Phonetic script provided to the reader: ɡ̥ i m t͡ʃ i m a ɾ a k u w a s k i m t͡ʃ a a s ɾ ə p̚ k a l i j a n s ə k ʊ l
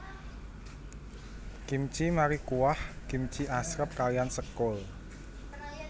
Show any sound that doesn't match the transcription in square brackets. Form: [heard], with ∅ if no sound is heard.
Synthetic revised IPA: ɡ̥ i m t͡ʃ i m a ɾ [i] k u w a [h] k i m t͡ʃ [i] a s ɾ ə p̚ k a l i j a n s ə k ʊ l